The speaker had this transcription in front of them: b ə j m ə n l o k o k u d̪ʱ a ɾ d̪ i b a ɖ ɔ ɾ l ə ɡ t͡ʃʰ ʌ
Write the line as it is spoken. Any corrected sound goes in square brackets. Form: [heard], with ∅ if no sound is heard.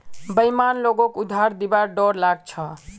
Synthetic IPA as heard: b ə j m [a] n l o [ɡ] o k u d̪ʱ a ɾ d̪ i b a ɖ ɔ ɾ l [a] ɡ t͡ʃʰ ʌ